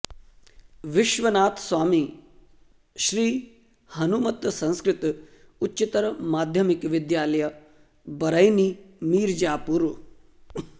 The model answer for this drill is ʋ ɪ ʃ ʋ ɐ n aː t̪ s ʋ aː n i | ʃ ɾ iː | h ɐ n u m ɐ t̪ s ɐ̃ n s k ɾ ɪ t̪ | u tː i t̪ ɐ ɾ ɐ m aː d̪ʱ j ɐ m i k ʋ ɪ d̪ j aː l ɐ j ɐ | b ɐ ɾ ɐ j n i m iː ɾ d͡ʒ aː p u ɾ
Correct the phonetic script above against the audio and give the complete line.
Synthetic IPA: ʋ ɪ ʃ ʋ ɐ n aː t̪ s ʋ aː m i | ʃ ɾ iː | h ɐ n u m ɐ t̪ s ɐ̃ n s k ɾ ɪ t̪ | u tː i t̪ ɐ ɾ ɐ m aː d̪ʱ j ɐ m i k ʋ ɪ d̪ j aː l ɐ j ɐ | b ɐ ɾ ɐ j n i m iː ɾ d͡ʒ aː p u ɾ